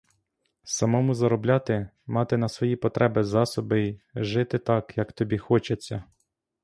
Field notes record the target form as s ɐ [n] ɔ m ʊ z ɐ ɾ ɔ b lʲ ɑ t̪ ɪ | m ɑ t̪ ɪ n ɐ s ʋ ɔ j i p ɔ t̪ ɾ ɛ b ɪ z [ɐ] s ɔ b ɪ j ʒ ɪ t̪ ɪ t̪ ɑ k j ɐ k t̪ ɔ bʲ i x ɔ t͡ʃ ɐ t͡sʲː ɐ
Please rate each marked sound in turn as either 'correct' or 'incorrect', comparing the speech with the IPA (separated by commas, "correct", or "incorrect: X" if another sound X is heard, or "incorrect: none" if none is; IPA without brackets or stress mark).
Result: incorrect: m, incorrect: ɑ